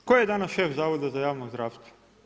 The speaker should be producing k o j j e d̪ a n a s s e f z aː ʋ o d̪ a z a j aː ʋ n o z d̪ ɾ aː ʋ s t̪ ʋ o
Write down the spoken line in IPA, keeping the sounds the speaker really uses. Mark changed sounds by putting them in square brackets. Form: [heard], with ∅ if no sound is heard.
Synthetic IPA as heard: k o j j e d̪ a n a s [ʃ] e f z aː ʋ o d̪ a z a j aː ʋ n o z d̪ ɾ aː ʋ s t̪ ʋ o